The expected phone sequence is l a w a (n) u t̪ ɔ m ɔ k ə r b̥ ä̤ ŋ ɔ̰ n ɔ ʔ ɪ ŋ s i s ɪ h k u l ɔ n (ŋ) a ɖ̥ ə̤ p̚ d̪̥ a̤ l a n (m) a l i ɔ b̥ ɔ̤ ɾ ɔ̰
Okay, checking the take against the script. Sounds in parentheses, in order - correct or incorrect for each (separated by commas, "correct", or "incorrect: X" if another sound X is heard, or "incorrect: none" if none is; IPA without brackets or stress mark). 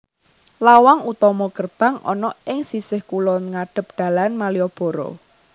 incorrect: ŋ, correct, correct